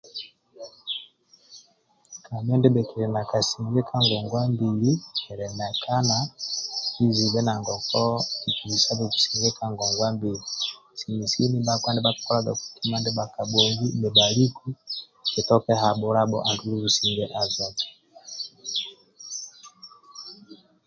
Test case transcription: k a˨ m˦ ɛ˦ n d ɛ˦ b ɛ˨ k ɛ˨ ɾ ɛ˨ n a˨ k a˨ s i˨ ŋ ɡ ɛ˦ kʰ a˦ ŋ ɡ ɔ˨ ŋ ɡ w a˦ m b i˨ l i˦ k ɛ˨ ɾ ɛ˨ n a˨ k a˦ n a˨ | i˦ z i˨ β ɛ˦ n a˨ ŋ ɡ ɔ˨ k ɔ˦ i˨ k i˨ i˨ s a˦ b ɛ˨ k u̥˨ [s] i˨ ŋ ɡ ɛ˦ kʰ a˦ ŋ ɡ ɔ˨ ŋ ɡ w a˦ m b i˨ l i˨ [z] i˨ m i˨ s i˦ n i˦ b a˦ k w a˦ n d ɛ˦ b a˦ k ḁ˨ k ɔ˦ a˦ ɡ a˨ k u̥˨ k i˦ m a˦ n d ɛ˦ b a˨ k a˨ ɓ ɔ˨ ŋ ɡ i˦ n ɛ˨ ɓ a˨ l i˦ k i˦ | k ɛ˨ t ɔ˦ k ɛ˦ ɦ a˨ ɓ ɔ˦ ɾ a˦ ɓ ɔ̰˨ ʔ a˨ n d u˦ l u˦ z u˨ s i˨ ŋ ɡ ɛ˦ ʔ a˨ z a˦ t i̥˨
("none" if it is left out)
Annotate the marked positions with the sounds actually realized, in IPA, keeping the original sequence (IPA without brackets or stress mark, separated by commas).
s, s